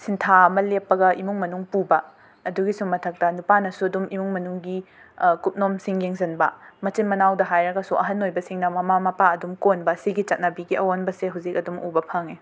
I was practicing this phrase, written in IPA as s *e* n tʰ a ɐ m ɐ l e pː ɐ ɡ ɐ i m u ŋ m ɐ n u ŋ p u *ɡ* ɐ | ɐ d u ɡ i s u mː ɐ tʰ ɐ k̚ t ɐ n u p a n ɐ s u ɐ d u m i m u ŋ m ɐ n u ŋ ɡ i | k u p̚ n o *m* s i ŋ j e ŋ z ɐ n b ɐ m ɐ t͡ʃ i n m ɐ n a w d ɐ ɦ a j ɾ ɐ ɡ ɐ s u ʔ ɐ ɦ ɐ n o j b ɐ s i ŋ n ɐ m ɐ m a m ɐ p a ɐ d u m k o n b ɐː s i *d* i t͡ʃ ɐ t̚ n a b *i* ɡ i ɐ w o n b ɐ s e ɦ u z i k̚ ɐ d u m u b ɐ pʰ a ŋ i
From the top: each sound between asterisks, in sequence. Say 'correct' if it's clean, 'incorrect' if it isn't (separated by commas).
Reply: incorrect, incorrect, correct, incorrect, correct